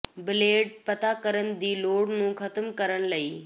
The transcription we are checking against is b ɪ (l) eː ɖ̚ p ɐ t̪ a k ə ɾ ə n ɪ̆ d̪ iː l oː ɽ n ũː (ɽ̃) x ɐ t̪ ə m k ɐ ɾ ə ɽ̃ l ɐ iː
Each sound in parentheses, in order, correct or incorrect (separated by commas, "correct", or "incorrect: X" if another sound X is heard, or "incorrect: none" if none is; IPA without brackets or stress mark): correct, incorrect: none